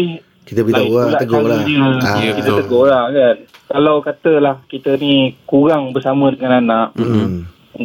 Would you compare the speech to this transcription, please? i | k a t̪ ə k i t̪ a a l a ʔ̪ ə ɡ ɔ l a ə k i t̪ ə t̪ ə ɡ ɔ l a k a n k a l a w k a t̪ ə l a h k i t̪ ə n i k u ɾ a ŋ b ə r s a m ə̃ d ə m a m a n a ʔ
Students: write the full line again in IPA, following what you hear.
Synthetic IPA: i | k i t̪ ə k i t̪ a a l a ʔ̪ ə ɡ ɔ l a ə k i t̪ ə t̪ ə ɡ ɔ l a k a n k a l a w k a t̪ ə l a h k i t̪ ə n i k u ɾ a ŋ b ə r s a m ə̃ d ə ŋ a n a n a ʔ